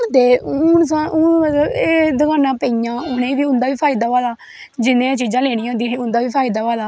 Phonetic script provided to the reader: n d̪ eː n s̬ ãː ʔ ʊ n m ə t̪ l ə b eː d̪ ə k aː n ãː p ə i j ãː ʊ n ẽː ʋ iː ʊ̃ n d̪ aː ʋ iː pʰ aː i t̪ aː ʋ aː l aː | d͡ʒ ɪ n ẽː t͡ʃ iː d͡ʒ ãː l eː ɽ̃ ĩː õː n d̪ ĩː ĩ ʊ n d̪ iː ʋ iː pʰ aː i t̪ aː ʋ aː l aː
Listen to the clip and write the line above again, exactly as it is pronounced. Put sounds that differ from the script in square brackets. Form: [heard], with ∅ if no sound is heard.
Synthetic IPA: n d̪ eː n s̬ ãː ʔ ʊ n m ə t̪ l ə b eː d̪ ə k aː n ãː p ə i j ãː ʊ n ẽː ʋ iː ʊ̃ n d̪ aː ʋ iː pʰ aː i [d̪] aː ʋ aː l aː | d͡ʒ ɪ n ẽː t͡ʃ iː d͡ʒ ãː l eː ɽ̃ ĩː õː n d̪ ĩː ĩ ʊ n d̪ [aː] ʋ iː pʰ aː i [d̪] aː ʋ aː l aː